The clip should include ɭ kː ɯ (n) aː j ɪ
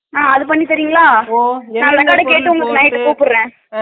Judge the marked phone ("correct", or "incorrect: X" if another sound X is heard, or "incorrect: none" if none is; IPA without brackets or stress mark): correct